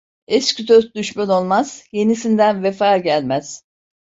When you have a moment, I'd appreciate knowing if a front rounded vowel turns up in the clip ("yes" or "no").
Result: yes